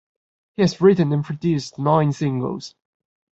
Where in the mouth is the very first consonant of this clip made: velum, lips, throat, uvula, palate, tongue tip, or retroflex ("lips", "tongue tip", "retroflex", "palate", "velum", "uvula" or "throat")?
throat